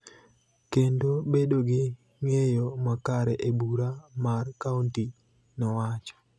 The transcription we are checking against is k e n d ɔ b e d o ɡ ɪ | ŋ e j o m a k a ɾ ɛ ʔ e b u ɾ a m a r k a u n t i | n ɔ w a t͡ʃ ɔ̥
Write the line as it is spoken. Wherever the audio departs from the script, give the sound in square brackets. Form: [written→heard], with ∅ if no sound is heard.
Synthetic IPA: k e n d [ɔ→o] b e d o ɡ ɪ | ŋ e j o m a k a ɾ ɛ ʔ e b u ɾ a m a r k a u n t i | n ɔ w a t͡ʃ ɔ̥